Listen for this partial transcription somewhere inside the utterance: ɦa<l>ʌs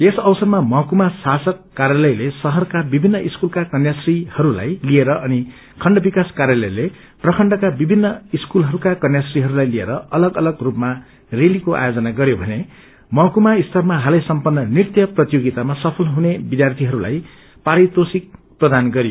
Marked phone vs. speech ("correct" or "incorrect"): correct